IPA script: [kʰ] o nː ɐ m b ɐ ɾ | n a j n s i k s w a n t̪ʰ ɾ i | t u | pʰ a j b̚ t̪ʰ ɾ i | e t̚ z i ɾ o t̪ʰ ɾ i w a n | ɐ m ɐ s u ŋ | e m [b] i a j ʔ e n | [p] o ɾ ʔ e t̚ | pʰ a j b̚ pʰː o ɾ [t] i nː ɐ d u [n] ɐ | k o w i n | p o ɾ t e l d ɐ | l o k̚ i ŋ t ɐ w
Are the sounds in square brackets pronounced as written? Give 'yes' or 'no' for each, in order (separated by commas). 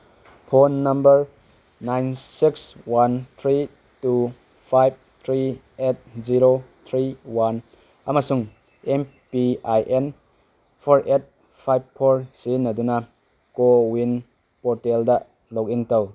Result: no, no, no, no, yes